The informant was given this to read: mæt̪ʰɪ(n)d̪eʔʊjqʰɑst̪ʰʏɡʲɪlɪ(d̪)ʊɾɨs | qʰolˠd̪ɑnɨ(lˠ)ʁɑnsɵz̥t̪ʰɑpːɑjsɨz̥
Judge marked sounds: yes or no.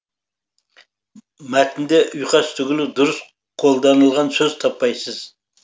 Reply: yes, yes, yes

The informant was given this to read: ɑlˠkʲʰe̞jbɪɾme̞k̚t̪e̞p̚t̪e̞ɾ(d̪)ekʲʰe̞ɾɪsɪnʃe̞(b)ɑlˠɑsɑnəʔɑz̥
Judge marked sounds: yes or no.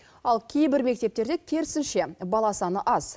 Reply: yes, yes

